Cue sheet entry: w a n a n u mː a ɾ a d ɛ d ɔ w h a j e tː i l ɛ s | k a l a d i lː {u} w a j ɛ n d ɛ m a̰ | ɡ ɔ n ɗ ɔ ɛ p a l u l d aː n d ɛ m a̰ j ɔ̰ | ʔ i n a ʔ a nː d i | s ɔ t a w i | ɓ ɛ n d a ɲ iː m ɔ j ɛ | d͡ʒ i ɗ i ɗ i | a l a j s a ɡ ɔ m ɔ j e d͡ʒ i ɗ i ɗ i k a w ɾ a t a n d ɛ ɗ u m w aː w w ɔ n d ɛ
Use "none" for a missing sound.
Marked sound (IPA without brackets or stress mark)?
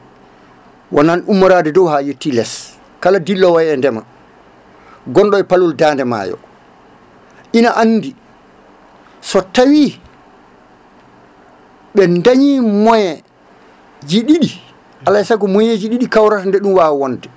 ɔ